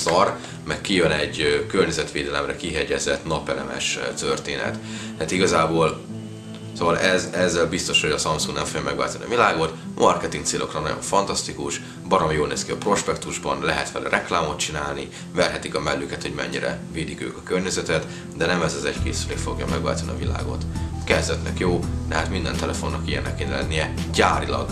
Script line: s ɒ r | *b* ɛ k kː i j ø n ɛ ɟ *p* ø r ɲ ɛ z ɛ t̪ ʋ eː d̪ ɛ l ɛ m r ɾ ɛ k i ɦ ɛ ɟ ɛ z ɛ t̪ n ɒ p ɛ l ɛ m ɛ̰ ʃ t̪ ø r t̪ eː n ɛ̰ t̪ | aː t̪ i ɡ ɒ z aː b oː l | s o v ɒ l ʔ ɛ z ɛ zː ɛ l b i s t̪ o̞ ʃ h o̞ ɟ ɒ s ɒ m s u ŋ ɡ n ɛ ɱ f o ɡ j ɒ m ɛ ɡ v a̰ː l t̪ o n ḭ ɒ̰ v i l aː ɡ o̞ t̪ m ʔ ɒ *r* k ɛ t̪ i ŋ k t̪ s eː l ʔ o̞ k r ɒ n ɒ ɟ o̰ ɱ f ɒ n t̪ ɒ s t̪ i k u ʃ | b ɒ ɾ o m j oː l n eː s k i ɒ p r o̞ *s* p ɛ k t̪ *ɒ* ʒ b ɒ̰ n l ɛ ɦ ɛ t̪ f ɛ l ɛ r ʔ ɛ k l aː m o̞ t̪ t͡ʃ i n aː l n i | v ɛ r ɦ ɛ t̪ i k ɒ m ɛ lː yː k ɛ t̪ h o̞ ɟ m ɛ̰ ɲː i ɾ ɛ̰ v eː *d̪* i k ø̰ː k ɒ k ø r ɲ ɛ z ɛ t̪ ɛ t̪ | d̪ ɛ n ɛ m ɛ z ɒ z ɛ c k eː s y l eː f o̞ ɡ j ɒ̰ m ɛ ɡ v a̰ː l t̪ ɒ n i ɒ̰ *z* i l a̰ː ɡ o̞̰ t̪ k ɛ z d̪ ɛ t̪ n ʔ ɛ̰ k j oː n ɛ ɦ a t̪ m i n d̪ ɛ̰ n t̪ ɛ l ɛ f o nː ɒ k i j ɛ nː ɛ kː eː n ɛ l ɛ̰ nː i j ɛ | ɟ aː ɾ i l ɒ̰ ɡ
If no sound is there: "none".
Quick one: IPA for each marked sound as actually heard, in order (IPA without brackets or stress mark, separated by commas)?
m, k, r, ʃ, u, d̪, v